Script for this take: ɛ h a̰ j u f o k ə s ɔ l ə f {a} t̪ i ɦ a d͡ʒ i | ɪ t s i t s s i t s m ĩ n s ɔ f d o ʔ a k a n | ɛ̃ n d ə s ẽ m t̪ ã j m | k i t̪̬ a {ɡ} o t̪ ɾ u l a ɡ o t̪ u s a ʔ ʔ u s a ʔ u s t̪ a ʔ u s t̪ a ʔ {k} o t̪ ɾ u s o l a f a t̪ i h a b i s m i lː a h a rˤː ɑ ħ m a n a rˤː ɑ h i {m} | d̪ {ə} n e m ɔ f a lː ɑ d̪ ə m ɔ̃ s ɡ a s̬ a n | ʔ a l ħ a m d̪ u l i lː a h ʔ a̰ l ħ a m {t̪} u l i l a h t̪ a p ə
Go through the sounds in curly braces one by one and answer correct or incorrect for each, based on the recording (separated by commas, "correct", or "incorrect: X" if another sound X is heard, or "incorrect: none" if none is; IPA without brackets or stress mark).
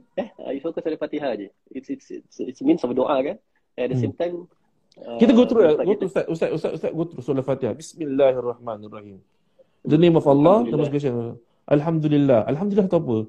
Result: correct, correct, incorrect: ɡ, correct, correct, incorrect: d̪